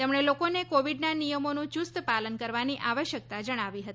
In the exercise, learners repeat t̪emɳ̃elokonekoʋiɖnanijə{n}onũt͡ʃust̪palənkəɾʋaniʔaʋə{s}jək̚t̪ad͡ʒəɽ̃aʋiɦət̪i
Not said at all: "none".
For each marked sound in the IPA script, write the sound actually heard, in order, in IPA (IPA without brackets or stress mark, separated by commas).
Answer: m, ʃ